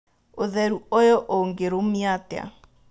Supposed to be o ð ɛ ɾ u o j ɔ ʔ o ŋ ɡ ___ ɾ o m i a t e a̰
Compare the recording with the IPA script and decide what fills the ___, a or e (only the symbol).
e